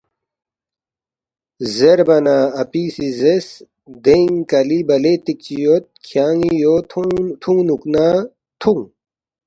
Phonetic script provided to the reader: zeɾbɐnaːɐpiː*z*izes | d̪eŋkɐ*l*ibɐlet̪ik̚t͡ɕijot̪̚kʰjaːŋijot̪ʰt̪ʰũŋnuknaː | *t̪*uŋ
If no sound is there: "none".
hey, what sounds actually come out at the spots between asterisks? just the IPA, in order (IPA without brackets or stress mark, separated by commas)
s, l, t̪ʰ